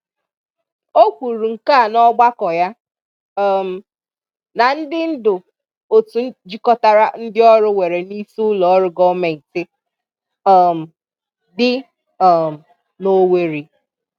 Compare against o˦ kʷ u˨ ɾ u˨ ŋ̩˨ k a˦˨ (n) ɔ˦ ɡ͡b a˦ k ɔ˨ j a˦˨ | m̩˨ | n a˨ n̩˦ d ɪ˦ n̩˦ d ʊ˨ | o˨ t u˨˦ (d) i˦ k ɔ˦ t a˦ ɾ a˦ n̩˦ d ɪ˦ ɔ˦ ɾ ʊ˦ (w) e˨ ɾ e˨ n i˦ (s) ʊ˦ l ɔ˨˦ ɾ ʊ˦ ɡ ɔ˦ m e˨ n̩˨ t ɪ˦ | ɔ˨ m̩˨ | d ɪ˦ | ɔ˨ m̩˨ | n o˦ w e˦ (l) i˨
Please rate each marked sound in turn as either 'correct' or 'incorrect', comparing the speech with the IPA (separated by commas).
correct, incorrect, correct, correct, incorrect